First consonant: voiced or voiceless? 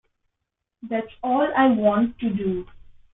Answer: voiced